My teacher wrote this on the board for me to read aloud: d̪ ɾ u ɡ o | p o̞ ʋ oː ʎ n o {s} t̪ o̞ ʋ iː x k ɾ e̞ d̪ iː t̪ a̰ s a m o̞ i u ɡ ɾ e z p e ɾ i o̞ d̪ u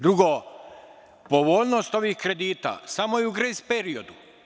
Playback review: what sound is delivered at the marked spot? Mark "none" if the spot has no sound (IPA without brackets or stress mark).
s